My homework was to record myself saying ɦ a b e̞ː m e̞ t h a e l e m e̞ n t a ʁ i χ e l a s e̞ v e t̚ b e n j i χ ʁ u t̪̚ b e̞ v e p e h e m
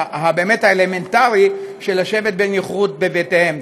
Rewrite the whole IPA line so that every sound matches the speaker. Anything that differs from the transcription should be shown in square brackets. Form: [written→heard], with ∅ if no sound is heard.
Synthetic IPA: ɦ a b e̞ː m e̞ t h a e l e m e̞ n t a ʁ i [χ→ʃ] e l a [s→ʃ] e̞ v e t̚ b e n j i χ ʁ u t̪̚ b e̞ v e [p→t] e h e m

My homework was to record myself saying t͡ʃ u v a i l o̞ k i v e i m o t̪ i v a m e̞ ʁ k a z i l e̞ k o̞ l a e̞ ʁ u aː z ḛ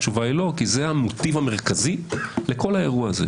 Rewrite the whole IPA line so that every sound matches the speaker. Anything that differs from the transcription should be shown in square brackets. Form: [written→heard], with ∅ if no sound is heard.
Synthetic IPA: t͡ʃ u v a i l o̞ k i [v→z] e [i→a] m o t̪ i v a m e̞ ʁ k a z i l e̞ k o̞ l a e̞ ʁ u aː z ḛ

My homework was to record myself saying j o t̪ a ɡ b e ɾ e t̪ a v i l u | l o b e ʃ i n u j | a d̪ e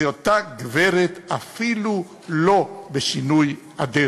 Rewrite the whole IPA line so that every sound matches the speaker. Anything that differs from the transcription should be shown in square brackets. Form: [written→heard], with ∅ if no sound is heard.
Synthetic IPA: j o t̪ a ɡ [b→v] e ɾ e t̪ a [v→f] i l u | l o b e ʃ i n u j | a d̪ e

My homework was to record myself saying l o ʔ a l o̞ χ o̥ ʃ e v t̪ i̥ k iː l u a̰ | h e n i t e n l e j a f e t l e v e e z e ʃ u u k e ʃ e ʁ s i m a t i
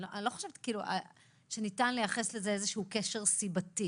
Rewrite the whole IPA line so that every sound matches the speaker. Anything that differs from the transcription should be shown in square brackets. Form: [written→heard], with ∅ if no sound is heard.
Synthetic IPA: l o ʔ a l o̞ χ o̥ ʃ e v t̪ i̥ k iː l u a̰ | [h→ʃ] e n i t [e→a] n l e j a [f→χ] e [t→s] l e [v→z] e e z e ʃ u u k e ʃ e ʁ s i [m→b] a t i

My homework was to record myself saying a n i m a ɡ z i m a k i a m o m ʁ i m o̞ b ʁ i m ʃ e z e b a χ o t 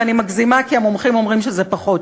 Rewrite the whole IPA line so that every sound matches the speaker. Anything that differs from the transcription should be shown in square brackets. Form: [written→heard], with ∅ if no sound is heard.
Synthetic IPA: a n i m a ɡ z i m a k i a m o m [ʁ→χ] i m o̞ [b→m] ʁ i m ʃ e z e [b→p] a χ o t

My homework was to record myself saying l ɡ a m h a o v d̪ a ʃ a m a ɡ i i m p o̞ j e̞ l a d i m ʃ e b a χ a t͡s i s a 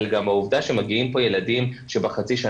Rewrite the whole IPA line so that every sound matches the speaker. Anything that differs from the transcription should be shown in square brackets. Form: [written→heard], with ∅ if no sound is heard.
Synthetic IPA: l ɡ a m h a [o→u] v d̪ a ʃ [a→e] m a ɡ i i m p o̞ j e̞ l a d i m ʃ e b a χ a t͡s i [s→ʃ] a

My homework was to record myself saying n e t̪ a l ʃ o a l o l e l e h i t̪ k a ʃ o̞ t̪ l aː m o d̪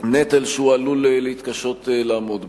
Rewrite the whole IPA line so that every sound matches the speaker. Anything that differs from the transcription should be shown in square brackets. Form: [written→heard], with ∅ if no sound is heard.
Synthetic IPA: n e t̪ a l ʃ [o→u] a l [o→u] l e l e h i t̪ k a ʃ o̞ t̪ l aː m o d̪

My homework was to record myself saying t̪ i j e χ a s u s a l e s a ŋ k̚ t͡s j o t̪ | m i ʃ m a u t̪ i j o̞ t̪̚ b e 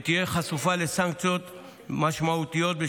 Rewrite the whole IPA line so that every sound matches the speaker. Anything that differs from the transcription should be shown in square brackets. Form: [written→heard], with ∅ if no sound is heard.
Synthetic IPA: t̪ i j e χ a s u [s→f] a l e s a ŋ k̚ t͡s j o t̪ | m [i→a] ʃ m a u t̪ i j o̞ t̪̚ b e

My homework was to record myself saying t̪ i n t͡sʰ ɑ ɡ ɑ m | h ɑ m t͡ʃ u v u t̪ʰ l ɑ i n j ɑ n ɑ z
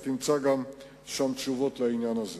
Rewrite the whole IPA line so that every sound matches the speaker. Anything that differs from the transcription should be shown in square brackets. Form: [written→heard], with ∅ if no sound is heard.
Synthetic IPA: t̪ i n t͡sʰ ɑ ɡ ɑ m | [h→ʃ] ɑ m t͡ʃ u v [u→ɔ] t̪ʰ l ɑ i n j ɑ n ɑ z

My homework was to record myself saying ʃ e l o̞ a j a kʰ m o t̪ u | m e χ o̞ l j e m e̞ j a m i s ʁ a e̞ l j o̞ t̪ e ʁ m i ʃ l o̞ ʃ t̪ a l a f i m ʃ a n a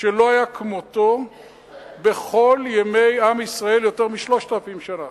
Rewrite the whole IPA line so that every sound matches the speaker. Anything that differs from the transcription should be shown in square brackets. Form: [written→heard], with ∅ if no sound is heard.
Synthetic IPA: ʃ e l o̞ a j a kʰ m o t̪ [u→o] | [m→b] e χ o̞ l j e m e̞ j a m i s ʁ a e̞ l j o̞ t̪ e ʁ m i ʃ l o̞ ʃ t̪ a l a f i m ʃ a n a

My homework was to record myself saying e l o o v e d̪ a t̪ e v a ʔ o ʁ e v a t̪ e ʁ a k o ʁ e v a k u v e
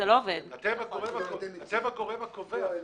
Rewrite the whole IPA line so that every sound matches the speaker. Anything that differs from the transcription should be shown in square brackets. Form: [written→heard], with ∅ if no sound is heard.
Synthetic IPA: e l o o v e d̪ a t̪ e v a [ʔ→k] o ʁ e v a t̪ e [ʁ→v] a k o ʁ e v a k [u→o] v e

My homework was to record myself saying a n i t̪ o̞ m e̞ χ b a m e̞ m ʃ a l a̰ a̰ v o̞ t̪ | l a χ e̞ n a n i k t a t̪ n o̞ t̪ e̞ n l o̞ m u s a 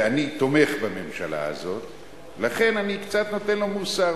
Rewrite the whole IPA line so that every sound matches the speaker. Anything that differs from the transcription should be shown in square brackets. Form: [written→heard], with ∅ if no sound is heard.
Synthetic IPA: a n i t̪ o̞ m e̞ χ b a m e̞ m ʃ a l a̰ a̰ [v→z] o̞ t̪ | l a χ e̞ n a n i k [t→t͡s] a t̪ n o̞ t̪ e̞ n l o̞ m u s a

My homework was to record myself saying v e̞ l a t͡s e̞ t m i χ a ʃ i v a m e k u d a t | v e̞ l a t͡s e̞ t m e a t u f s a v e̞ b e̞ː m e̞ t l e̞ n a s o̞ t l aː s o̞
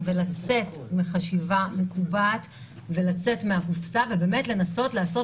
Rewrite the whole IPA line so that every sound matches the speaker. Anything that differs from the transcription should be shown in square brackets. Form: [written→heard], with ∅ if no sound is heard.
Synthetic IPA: v e̞ l a t͡s e̞ t m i χ a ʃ i v a m e k u [d→b] a t | v e̞ l a t͡s e̞ t m e a [t→k] u f s a v e̞ b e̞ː m e̞ t l e̞ n a s o̞ t l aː s o̞

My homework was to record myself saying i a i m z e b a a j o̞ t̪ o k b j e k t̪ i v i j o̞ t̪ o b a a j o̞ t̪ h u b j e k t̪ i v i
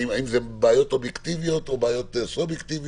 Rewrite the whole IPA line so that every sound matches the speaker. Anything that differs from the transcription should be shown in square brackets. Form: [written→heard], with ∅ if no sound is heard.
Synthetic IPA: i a i m z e b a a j o̞ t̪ o [k→∅] b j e k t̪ i v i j o̞ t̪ o b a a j o̞ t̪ [h→s] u b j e k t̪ i v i

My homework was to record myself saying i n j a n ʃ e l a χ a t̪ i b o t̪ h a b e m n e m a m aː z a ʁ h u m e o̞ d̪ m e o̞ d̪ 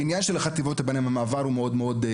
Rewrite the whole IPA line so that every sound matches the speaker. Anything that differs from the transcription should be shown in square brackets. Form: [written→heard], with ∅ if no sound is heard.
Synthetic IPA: i n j a n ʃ e l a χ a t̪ i [b→v] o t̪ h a b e [m→∅] n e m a m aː [z→v] a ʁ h u m e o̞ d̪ m e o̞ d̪

